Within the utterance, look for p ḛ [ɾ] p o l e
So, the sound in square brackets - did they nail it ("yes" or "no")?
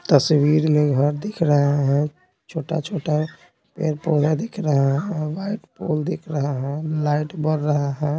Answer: yes